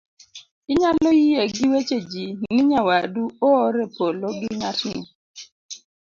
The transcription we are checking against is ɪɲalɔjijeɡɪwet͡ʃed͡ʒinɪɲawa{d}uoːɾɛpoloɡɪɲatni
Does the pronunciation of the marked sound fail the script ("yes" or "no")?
no